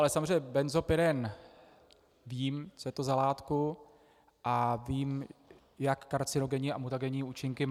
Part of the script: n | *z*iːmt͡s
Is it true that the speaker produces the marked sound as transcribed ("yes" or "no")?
no